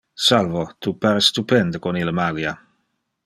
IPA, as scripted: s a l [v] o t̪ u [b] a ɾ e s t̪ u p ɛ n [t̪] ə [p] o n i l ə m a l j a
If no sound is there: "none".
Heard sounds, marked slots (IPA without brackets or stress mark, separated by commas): v, p, d̪, k